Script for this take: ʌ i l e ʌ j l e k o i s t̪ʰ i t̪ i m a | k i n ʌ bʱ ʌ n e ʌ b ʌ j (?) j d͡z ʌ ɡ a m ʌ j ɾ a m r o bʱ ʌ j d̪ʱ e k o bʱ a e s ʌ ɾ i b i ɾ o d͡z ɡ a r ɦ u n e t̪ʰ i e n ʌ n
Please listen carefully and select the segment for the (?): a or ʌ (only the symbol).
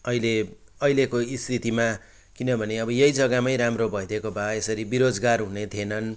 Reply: ʌ